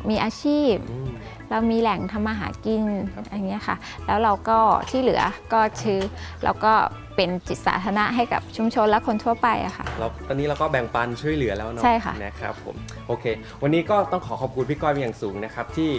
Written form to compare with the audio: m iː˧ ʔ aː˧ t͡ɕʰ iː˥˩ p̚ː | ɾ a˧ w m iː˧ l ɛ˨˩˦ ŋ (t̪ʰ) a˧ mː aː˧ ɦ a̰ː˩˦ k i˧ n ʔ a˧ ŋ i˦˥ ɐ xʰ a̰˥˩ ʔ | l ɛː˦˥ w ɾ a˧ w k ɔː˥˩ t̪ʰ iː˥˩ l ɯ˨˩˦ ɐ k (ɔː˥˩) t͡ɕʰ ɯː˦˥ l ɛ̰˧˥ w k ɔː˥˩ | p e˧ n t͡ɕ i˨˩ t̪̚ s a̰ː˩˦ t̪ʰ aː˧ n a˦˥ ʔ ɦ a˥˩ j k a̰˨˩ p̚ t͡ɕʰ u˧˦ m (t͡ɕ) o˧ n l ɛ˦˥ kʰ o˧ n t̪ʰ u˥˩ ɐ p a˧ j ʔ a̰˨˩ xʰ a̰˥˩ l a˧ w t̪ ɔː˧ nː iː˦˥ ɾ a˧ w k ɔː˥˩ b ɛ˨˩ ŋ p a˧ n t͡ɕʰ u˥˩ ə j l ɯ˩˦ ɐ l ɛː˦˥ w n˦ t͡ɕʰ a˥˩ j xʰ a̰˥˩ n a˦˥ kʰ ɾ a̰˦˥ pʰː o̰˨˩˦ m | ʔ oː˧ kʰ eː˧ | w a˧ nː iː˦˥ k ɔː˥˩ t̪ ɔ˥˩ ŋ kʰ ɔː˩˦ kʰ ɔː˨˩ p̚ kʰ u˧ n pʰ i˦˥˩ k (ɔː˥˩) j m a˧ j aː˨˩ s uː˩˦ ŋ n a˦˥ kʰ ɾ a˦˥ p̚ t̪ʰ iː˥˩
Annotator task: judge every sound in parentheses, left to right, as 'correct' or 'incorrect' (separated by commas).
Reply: correct, correct, incorrect, incorrect